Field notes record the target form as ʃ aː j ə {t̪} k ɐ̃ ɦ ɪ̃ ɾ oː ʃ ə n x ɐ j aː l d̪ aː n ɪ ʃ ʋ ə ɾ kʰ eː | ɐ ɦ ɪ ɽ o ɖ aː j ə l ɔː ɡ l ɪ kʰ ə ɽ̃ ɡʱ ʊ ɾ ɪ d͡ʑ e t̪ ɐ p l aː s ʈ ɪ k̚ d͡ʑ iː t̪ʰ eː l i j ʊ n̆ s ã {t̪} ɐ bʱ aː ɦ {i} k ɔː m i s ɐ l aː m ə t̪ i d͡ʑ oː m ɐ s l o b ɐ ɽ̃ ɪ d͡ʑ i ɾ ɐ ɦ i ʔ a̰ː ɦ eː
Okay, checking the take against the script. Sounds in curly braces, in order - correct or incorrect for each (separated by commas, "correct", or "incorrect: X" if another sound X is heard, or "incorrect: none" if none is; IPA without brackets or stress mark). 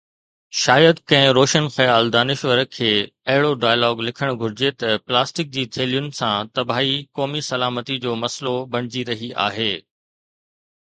incorrect: d̪, correct, correct